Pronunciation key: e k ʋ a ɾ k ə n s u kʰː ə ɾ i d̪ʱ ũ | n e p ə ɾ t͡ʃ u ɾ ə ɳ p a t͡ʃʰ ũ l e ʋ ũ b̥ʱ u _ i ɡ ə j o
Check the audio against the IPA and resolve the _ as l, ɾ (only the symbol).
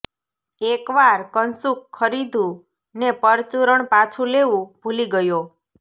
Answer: l